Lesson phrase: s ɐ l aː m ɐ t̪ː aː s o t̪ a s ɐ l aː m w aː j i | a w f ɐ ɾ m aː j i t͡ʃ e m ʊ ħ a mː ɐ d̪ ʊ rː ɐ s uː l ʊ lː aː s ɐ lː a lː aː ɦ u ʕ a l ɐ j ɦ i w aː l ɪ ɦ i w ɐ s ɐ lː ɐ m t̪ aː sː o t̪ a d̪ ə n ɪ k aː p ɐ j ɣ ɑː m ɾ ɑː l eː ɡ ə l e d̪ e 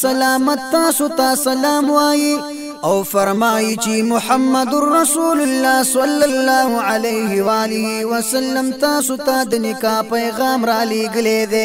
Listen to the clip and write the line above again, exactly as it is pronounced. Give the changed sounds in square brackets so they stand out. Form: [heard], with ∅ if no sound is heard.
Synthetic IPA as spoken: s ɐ l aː m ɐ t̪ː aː s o t̪ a s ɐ l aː m w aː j i | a w f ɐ ɾ m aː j i t͡ʃ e m ʊ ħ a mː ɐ d̪ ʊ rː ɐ s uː l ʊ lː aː s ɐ lː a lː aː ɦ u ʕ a l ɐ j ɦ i w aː l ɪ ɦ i w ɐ s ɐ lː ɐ m t̪ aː [s] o t̪ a d̪ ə n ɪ k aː p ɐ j ɣ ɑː m ɾ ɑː l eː ɡ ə l e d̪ e